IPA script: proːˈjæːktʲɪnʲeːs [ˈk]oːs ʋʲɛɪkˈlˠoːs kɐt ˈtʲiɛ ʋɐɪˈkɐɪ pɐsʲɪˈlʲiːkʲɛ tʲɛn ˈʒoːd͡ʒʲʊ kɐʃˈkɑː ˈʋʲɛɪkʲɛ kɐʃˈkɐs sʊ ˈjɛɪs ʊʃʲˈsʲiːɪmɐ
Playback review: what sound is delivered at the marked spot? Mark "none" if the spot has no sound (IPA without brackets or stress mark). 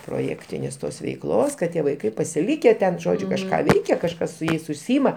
t